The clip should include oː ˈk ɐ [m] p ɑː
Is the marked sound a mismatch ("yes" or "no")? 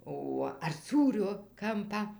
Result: no